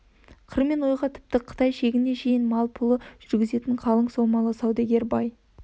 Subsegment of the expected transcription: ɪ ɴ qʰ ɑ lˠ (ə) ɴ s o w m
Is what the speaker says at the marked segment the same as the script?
yes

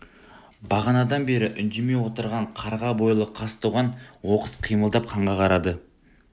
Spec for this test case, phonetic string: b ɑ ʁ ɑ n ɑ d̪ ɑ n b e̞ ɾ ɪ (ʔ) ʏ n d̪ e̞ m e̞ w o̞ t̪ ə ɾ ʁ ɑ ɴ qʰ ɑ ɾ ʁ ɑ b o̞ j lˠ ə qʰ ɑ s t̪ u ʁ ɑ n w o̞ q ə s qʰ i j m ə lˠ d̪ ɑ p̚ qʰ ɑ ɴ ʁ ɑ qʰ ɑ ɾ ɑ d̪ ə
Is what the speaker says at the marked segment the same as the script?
yes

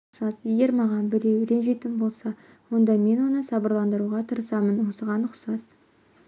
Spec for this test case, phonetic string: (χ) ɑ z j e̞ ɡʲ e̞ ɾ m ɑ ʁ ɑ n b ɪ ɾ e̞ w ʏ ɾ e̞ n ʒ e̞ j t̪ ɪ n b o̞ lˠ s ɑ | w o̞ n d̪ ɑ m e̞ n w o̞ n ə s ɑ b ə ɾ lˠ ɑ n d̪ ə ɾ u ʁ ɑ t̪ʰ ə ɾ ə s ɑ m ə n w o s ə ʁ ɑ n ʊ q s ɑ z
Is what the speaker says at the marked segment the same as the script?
no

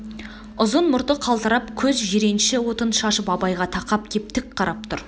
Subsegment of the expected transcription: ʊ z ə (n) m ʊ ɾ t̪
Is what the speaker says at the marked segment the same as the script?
yes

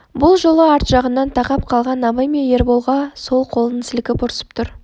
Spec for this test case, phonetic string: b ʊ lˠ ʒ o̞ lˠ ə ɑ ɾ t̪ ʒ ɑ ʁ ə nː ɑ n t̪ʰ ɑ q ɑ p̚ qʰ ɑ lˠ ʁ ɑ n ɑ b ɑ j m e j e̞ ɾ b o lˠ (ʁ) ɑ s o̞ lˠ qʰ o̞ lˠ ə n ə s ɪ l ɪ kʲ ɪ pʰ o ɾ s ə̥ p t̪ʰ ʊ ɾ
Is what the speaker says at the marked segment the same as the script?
yes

